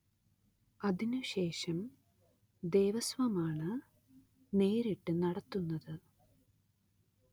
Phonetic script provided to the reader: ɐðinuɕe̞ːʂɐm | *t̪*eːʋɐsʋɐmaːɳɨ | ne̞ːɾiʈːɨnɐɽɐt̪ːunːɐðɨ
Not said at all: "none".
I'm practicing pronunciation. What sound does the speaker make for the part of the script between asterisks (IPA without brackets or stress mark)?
d̪